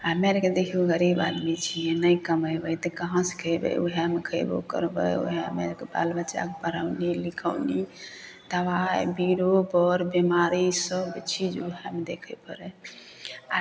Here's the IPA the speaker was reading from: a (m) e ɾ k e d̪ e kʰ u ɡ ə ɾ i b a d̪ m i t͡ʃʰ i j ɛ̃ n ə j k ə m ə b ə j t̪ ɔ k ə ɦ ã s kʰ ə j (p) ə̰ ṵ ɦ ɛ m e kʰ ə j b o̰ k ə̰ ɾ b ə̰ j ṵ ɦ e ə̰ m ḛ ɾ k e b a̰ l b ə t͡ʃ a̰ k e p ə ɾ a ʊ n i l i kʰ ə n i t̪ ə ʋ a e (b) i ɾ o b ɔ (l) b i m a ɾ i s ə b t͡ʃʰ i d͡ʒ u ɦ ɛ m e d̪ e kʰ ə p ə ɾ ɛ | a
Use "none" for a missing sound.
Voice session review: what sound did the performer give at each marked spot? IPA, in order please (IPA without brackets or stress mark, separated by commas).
m, b, b, ɾ